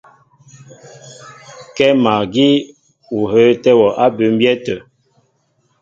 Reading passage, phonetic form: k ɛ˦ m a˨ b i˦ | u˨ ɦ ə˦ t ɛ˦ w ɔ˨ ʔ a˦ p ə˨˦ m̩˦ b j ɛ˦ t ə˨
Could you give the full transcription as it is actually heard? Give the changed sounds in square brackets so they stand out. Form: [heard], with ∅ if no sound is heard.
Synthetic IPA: k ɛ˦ m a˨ [ɡ] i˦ | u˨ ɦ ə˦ t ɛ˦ w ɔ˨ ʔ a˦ [b] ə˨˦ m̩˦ b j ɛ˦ t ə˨